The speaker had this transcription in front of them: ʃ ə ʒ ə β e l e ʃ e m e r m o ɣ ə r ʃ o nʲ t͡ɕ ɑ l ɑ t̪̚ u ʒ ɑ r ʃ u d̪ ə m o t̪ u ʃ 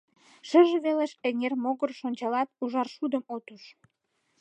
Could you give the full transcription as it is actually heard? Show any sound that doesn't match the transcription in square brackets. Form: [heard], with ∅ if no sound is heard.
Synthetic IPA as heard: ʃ ə ʒ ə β e l e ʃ e [ŋ] e r m o ɣ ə r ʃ o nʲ t͡ɕ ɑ l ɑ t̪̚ u ʒ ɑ r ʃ u d̪ ə m o t̪ u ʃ